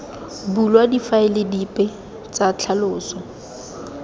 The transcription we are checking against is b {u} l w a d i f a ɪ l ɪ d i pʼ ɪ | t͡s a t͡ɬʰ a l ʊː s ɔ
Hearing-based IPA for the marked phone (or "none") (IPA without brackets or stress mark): u